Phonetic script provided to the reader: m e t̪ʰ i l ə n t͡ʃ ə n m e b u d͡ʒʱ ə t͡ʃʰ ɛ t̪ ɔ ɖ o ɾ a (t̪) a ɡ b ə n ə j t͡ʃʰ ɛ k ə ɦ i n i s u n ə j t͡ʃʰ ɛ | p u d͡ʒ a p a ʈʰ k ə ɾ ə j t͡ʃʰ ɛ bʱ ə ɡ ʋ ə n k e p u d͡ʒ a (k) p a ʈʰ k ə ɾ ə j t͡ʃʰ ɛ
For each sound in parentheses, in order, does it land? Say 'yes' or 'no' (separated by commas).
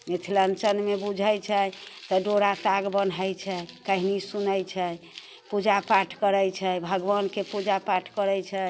yes, no